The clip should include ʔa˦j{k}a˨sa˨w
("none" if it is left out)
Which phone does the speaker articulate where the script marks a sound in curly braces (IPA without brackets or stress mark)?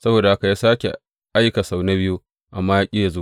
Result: k